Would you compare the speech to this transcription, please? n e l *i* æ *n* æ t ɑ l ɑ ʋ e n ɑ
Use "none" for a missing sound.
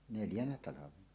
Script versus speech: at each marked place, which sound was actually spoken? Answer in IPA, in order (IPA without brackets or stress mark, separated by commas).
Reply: j, n